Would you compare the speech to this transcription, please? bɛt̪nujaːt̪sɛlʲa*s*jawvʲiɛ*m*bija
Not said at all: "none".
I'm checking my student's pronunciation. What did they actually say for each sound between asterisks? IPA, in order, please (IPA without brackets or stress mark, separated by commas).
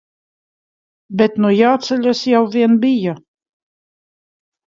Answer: s, n